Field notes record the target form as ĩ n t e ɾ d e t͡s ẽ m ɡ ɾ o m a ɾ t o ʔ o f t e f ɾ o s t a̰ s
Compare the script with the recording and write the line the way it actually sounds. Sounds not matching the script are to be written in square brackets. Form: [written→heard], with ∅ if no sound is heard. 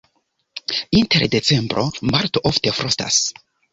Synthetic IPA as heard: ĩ n t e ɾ d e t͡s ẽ m [ɡ→b] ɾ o m a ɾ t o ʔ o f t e f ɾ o s t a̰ s